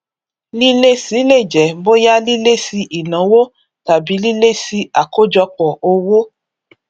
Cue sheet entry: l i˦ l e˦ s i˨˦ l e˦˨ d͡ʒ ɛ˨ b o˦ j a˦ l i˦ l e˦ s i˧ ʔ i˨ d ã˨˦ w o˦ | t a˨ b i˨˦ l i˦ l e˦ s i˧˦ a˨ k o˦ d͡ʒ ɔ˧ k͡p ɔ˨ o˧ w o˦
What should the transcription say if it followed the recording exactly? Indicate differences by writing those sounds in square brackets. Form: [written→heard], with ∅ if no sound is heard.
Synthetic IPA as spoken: l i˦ l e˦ s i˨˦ l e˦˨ d͡ʒ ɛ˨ b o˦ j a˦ l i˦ l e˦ s i˧ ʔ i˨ [d→n] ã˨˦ w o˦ | t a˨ b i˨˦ l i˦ l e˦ s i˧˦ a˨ k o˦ d͡ʒ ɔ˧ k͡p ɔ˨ o˧ w o˦